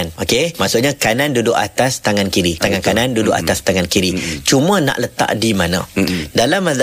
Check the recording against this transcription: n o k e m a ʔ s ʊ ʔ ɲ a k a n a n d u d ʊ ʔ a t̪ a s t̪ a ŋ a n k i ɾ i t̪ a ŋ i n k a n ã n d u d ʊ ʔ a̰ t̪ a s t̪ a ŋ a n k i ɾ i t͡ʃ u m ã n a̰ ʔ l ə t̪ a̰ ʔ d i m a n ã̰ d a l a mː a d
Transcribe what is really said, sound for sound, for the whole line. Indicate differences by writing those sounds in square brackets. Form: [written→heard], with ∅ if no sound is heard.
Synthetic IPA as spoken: n o k e m a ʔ s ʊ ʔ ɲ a k a n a n d u d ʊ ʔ a t̪ a s t̪ a ŋ a n k i ɾ i t̪ a ŋ [i→a] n k a n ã n d u d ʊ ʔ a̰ t̪ a s t̪ a ŋ a n k i ɾ i t͡ʃ u m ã n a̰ ʔ l ə t̪ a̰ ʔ d i m a n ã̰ d a l a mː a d